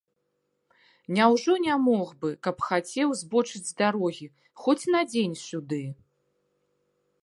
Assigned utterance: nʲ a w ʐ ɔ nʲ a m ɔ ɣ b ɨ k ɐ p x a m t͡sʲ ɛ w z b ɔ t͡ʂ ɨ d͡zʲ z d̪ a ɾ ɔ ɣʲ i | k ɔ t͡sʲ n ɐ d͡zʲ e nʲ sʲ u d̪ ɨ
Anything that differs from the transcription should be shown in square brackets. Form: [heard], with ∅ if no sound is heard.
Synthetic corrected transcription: nʲ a w ʐ ɔ nʲ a m ɔ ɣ b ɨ k ɐ p x a [∅] t͡sʲ ɛ w z b ɔ t͡ʂ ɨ d͡zʲ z d̪ a ɾ ɔ ɣʲ i | [x] ɔ t͡sʲ n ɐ d͡zʲ e nʲ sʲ u d̪ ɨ

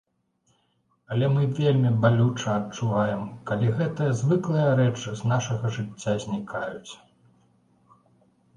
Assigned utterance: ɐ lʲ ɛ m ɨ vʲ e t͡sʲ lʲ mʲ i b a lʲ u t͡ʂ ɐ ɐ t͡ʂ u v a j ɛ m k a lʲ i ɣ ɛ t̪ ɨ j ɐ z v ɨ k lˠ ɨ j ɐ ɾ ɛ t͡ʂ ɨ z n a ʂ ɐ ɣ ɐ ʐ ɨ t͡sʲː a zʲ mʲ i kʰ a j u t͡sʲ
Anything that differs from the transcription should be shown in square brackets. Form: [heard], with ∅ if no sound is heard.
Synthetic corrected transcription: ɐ lʲ ɛ m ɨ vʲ e [∅] lʲ mʲ i b a lʲ u t͡ʂ ɐ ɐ t͡ʂ u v a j ɛ m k a lʲ i ɣ ɛ t̪ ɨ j ɐ z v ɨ k lˠ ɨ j ɐ ɾ ɛ t͡ʂ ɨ z n a ʂ ɐ ɣ ɐ ʐ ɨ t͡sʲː a zʲ [nʲ] i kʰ a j u t͡sʲ

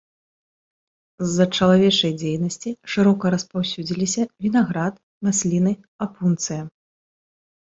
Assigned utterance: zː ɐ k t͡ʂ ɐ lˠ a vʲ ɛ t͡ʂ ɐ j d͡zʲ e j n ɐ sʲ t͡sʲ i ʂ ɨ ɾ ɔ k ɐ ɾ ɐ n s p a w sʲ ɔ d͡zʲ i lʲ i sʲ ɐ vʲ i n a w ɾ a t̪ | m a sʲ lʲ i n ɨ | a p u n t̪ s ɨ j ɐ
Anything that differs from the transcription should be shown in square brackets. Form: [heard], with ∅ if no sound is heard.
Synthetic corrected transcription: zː ɐ [∅] t͡ʂ ɐ lˠ a vʲ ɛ t͡ʂ ɐ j d͡zʲ e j n ɐ sʲ t͡sʲ i ʂ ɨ ɾ ɔ k ɐ ɾ ɐ [∅] s p a w sʲ [u] d͡zʲ i lʲ i sʲ ɐ vʲ i n a [ɣ] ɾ a t̪ | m a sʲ lʲ i n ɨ | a p u n t̪ s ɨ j ɐ

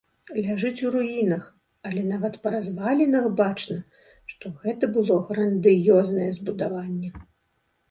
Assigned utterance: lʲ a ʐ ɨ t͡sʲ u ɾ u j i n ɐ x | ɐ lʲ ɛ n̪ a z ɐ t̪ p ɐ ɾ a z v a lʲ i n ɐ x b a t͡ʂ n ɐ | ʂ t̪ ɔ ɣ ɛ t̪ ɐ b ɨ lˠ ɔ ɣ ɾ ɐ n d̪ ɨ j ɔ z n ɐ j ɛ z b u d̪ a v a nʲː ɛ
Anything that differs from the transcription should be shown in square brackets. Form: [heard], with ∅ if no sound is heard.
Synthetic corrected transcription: lʲ a ʐ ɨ t͡sʲ u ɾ u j i n ɐ x | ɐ lʲ ɛ n̪ a [v] ɐ t̪ p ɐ ɾ a z v a lʲ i n ɐ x b a t͡ʂ n ɐ | ʂ t̪ ɔ ɣ ɛ t̪ ɐ b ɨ lˠ ɔ ɣ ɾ ɐ n d̪ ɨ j ɔ z n ɐ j ɛ z b u d̪ a v a nʲː ɛ

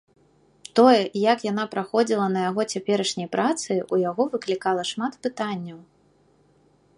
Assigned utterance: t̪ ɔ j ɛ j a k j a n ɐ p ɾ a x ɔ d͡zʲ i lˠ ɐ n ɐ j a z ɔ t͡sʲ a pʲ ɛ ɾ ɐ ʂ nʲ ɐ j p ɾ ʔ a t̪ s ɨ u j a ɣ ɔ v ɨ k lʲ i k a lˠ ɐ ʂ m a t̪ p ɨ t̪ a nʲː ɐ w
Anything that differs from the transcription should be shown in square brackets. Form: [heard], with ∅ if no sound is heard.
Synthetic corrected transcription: t̪ ɔ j ɛ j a k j a n [a] p ɾ a x ɔ d͡zʲ i lˠ ɐ n ɐ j a [ɣ] ɔ t͡sʲ a pʲ ɛ ɾ ɐ ʂ nʲ ɐ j p ɾ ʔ a t̪ s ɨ u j a ɣ ɔ v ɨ k lʲ i k a lˠ ɐ ʂ m a t̪ p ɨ t̪ a nʲː ɐ w

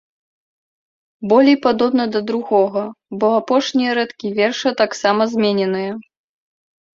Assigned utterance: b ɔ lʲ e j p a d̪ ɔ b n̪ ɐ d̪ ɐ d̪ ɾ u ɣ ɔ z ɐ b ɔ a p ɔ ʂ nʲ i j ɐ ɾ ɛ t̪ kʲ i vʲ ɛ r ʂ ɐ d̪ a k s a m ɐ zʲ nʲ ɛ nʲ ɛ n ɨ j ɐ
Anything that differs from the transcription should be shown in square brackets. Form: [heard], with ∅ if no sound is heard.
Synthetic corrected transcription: b ɔ lʲ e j p a d̪ ɔ b n̪ ɐ d̪ ɐ d̪ ɾ u ɣ ɔ [ɣ] ɐ b ɔ a p ɔ ʂ nʲ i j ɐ ɾ ɛ t̪ kʲ i vʲ ɛ r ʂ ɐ [t̪] a k s a m ɐ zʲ [mʲ] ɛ nʲ ɛ n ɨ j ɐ

